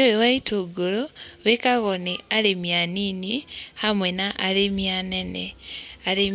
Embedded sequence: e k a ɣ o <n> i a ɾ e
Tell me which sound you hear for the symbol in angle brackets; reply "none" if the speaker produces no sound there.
n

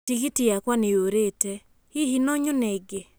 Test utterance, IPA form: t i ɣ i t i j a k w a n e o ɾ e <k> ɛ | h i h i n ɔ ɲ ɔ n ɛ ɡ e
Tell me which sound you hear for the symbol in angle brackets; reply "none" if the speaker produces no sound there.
t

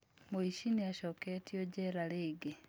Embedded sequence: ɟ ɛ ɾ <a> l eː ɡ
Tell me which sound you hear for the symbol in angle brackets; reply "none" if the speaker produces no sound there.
a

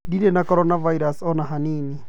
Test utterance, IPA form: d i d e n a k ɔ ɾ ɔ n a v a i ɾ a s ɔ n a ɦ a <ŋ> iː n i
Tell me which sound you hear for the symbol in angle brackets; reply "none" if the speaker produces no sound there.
n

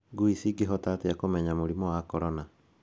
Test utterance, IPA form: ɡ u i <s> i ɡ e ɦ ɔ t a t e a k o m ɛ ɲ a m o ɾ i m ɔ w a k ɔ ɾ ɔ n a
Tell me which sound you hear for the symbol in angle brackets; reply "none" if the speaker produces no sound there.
s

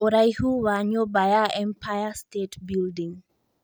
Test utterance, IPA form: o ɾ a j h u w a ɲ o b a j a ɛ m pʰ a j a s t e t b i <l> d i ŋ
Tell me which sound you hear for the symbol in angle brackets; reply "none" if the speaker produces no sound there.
l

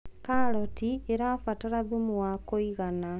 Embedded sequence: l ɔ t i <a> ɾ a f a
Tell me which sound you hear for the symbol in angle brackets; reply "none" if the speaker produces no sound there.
e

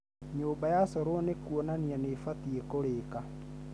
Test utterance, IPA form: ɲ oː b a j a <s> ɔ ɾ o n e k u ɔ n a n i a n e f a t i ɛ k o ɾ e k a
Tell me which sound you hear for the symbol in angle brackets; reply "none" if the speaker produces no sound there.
s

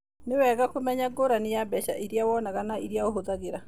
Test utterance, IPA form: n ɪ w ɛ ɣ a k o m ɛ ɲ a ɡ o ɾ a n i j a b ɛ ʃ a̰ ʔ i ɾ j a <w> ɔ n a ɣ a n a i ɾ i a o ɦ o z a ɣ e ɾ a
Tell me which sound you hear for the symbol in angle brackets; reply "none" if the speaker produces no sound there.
w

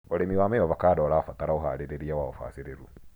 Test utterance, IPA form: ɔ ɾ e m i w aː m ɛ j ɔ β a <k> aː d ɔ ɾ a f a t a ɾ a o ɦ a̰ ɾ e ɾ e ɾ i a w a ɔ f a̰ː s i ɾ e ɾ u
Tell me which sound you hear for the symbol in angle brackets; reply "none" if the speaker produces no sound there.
k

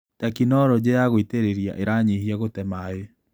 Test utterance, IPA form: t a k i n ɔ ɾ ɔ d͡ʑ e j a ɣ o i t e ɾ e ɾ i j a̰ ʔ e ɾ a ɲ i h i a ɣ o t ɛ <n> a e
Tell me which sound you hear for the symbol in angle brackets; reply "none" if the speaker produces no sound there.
m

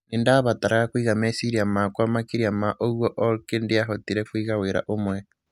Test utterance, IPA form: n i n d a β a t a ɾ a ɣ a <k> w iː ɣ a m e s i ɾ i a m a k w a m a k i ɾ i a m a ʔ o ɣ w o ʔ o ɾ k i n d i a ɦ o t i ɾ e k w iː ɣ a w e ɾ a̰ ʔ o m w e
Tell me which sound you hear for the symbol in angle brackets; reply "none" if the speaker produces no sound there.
k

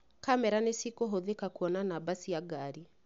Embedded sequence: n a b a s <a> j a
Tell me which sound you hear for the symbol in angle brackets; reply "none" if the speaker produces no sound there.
i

